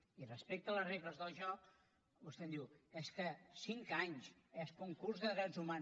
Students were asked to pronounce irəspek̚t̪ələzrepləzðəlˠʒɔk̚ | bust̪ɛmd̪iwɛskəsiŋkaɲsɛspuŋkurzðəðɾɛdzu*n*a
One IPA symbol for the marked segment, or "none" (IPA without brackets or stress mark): m